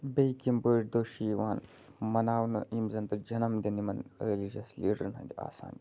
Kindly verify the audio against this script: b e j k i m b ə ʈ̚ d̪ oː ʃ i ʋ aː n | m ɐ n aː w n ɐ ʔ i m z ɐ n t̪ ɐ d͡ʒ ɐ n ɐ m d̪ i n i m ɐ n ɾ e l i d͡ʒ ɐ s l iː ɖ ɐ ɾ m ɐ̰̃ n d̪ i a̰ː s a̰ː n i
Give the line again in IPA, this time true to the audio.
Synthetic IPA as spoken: b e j k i m b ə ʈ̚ d̪ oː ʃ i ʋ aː n | m ɐ n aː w n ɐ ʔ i m z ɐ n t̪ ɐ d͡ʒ ɐ n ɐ m d̪ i n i m ɐ n ɾ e l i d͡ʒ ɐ s l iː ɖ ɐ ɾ n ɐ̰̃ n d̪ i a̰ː s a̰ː n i